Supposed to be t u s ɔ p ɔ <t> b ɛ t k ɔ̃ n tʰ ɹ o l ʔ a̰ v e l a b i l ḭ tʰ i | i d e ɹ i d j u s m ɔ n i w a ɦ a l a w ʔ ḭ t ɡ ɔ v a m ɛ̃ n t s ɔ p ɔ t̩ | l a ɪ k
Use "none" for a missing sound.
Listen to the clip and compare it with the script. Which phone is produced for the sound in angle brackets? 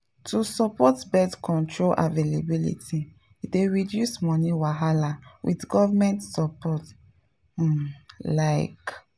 t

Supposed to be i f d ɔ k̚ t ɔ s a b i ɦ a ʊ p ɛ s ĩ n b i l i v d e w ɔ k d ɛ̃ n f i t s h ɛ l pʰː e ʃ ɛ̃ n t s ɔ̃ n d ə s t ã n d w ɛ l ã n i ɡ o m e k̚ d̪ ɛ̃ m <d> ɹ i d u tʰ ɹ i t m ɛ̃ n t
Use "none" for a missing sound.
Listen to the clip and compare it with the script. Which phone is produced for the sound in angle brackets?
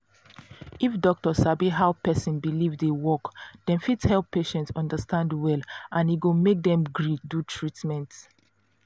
ɡ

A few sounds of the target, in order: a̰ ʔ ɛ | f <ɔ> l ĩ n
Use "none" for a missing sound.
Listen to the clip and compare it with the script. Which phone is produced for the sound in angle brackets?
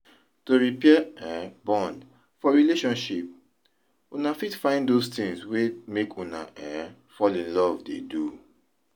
ɔ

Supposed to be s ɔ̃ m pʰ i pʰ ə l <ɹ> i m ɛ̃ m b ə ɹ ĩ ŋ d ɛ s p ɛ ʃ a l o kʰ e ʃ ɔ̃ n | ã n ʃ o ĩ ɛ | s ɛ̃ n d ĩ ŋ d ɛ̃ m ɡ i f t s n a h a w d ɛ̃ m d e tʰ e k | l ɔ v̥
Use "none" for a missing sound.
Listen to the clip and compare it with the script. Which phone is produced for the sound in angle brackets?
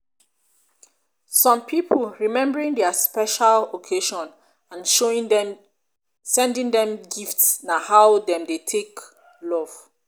ɹ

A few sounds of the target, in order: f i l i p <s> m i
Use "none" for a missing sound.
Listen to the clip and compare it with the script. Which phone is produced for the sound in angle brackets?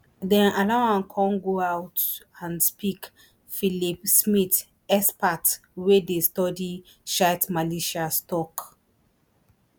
s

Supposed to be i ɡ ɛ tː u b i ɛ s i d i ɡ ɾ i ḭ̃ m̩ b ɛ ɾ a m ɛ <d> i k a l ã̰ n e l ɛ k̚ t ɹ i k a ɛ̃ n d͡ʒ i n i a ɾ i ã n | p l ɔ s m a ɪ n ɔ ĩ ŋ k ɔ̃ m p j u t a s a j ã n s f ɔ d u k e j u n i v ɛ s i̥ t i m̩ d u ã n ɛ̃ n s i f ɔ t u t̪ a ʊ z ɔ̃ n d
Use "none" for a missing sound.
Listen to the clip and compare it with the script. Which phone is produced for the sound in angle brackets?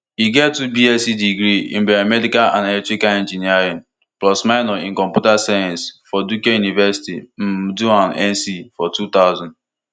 d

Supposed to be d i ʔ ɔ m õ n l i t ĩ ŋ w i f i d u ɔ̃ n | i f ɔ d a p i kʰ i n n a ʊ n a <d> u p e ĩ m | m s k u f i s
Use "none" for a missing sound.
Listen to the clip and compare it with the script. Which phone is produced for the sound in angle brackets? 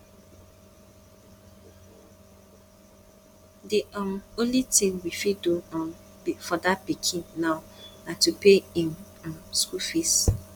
t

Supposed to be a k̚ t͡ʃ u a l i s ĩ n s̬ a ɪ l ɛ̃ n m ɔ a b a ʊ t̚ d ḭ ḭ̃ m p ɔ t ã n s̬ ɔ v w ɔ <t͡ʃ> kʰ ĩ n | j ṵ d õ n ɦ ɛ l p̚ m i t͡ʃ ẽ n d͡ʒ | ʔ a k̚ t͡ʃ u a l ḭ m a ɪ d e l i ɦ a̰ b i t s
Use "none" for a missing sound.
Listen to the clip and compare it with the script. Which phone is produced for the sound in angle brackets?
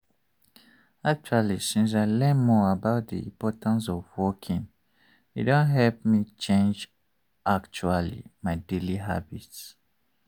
none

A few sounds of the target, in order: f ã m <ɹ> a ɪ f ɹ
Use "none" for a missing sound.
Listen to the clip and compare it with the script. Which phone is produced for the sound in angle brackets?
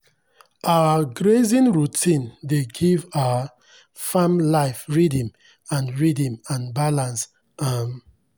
l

